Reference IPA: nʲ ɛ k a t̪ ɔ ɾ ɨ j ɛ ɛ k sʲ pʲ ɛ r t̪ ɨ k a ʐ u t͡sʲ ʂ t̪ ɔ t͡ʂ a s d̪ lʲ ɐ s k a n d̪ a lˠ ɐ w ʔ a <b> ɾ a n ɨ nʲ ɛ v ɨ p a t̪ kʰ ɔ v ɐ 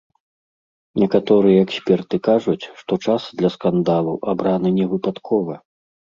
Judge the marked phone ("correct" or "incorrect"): correct